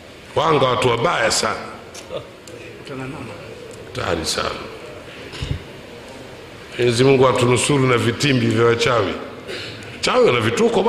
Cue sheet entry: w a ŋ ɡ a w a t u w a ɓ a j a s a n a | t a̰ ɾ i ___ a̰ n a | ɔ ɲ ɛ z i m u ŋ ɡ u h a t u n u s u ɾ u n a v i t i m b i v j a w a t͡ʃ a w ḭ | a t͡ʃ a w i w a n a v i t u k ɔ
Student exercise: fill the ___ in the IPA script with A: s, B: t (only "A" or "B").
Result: A